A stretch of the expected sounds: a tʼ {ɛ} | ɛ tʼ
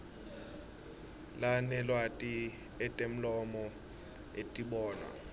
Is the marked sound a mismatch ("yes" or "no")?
yes